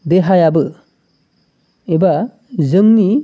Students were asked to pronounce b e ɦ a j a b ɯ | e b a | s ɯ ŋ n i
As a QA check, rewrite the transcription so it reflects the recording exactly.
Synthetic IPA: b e ɦ a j a b ɯ | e b a | z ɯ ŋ n i